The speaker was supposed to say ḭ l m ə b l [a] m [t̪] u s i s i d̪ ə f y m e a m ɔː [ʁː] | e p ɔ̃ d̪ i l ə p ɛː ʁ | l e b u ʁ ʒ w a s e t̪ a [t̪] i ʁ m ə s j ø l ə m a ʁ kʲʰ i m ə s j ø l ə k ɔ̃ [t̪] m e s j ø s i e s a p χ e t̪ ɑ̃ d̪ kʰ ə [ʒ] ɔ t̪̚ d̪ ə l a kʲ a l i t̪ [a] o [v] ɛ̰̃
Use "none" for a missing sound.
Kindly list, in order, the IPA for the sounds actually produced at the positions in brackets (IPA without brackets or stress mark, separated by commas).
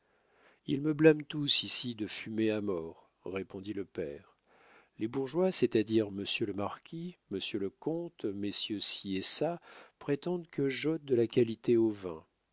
a, t̪, ʁː, d̪, t̪, ʒ, e, v